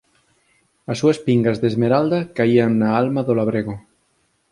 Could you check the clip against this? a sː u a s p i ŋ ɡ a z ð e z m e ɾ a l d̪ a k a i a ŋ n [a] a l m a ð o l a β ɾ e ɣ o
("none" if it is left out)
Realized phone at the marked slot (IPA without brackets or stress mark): a